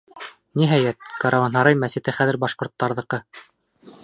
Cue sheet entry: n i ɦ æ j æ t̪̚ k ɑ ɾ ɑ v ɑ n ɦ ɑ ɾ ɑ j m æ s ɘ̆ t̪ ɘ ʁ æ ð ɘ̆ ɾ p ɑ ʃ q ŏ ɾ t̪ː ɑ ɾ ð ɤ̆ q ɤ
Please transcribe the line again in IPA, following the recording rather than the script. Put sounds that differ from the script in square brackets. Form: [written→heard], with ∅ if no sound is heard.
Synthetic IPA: n i ɦ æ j æ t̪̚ k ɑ ɾ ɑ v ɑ n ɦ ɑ ɾ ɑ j m æ s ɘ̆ t̪ ɘ [ʁ→χ] æ ð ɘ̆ ɾ [p→b] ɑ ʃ q ŏ ɾ t̪ː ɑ ɾ ð ɤ̆ q ɤ